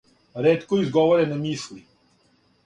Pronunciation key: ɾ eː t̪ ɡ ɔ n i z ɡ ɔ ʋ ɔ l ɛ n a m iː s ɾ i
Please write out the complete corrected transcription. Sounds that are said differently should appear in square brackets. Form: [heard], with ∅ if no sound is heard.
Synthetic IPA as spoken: ɾ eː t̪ [k] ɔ [∅] i z ɡ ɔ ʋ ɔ [ɾ] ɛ n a m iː s [l] i

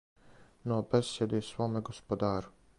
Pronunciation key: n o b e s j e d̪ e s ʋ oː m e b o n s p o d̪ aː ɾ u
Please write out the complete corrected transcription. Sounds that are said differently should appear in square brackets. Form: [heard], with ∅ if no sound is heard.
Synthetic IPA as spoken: n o b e s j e d̪ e s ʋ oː m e [ɡ] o [∅] s p o d̪ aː ɾ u

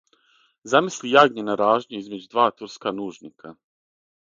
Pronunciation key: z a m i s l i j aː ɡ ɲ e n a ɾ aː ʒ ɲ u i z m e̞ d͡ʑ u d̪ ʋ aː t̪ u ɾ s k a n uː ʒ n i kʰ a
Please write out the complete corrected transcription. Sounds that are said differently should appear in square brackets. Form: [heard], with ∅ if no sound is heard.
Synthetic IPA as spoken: z a m i s l i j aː ɡ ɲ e n a ɾ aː ʒ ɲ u i z m e̞ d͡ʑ u d̪ ʋ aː t̪ u ɾ s k a n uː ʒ n i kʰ a

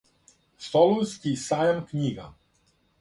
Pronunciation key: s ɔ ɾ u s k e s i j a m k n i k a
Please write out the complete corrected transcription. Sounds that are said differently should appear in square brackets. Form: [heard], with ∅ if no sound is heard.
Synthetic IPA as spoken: s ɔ [l] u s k [i] s [a] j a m k [ɲ] i [ɡ] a

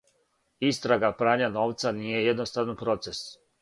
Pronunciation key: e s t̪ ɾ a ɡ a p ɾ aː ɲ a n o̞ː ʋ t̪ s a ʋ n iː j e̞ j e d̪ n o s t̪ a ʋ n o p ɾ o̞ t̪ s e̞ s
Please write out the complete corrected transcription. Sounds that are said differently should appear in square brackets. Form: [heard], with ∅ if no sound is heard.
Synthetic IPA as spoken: [i] s t̪ ɾ a ɡ a p ɾ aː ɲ a n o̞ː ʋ t̪ s a [∅] n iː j e̞ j e d̪ n o s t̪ a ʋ n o p ɾ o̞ t̪ s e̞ s

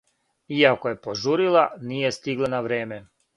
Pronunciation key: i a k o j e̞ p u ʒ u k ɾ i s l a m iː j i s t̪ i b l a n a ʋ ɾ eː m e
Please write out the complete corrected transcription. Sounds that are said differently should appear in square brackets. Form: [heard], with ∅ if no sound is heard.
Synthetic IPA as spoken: i a k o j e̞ p [o] ʒ u [∅] ɾ i [∅] l a [n] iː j [e] s t̪ i [ɡ] l a n a ʋ ɾ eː m e

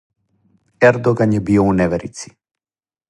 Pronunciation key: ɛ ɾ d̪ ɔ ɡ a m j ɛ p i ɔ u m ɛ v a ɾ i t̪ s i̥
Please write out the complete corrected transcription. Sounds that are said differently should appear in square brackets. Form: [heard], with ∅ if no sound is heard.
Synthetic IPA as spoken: ɛ ɾ d̪ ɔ ɡ a [n] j ɛ [b] i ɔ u [n] ɛ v [ɛ] ɾ i t̪ s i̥

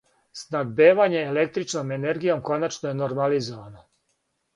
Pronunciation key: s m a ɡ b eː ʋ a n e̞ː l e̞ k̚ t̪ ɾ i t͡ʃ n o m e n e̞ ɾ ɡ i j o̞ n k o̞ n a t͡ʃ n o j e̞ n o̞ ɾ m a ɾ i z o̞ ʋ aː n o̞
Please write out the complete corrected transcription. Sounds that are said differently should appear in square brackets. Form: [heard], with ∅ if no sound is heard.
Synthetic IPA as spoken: s [n] a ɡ b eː ʋ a [ɲ] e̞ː l e̞ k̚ t̪ ɾ i t͡ʃ n o m e n e̞ ɾ ɡ i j o̞ [m] k o̞ n a t͡ʃ n o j e̞ n o̞ ɾ m a [l] i z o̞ ʋ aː n o̞

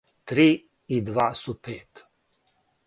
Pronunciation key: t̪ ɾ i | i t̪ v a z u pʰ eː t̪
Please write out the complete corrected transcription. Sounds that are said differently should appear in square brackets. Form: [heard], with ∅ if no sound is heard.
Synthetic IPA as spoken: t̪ ɾ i | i [d̪] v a [s] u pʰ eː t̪

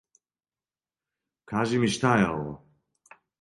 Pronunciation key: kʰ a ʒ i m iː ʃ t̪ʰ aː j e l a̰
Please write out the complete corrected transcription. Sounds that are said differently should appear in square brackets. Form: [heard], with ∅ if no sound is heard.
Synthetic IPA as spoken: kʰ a ʒ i m [i] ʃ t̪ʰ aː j [a] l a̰

